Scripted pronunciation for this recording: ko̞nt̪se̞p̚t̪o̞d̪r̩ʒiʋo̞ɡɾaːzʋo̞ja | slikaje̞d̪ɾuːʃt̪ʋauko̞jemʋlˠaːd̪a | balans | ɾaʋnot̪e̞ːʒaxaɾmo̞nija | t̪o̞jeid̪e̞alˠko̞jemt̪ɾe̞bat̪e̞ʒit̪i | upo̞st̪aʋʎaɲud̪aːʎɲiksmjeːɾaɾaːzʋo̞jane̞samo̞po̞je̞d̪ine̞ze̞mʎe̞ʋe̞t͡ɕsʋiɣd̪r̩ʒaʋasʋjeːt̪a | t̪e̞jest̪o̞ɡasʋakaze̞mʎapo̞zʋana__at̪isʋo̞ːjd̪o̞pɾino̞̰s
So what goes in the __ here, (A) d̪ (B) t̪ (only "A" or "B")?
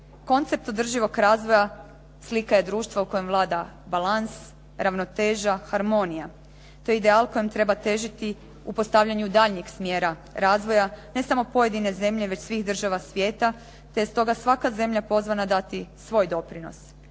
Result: A